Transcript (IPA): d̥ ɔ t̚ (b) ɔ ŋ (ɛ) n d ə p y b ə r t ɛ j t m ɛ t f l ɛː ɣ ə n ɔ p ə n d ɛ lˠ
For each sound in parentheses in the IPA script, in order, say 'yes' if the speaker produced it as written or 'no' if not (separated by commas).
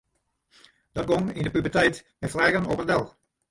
no, no